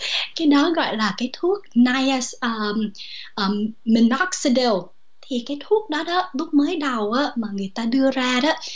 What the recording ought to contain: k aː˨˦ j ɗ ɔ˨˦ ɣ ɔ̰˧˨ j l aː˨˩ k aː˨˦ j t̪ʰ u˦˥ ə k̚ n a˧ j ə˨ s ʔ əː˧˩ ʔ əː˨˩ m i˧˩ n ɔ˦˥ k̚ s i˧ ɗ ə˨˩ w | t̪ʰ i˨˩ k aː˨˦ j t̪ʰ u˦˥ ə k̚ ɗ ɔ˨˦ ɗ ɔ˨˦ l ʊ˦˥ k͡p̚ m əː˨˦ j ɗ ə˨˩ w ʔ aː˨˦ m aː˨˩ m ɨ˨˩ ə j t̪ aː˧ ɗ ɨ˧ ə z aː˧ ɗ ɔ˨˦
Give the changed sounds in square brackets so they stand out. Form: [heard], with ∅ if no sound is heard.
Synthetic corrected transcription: k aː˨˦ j ɗ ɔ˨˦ ɣ ɔ̰˧˨ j l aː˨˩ k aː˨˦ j t̪ʰ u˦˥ ə k̚ n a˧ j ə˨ s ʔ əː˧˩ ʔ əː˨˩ m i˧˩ n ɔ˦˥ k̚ s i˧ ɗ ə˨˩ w | t̪ʰ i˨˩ k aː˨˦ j t̪ʰ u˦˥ ə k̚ ɗ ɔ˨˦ ɗ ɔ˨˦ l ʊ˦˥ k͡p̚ m əː˨˦ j ɗ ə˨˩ w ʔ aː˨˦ m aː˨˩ [ŋ] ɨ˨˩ ə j t̪ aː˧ ɗ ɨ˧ ə z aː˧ ɗ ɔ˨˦